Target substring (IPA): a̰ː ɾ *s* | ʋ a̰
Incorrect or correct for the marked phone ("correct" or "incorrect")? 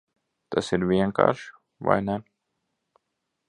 incorrect